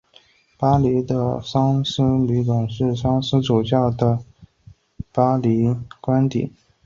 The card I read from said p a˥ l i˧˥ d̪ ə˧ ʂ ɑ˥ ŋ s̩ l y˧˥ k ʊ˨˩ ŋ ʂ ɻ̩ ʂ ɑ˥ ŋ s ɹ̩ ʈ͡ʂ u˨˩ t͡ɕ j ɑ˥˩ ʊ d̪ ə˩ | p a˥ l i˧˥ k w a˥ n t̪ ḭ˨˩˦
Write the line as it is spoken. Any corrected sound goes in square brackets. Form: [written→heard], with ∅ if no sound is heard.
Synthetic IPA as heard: p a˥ l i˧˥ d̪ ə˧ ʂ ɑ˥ ŋ s̩ l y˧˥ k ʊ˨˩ ŋ ʂ ɻ̩ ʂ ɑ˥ ŋ s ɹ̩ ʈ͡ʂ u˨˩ t͡ɕ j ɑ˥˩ ʊ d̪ ə˩ | p a˥ l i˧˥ k w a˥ n t̪ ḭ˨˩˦